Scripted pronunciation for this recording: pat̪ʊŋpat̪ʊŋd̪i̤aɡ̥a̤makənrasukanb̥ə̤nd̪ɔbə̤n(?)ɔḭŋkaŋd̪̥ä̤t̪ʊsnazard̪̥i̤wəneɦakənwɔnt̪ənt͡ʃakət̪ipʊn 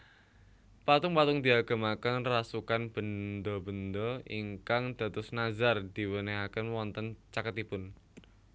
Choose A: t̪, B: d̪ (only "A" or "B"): B